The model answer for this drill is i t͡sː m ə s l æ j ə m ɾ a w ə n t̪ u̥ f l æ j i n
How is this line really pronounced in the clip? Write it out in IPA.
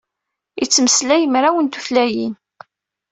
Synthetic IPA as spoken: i t͡sː m ə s l æ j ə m ɾ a w ə n t̪ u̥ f l æ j i n

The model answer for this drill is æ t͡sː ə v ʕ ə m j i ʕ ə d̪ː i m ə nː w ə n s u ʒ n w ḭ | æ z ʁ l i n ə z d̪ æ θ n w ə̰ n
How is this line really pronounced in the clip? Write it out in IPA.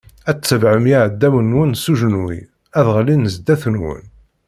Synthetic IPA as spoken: æ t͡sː ə v ʕ ə m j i ʕ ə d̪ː æ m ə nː w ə n s u ʒ n w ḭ | æ ð ʁ l i n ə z d̪ æ θ n w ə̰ n

